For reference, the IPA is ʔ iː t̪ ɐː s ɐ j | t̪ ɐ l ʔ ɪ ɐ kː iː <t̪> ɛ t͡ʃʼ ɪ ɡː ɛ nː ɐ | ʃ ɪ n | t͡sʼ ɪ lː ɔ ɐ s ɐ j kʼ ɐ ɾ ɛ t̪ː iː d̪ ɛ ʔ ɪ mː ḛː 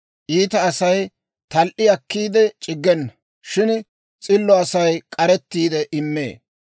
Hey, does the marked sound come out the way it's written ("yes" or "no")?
no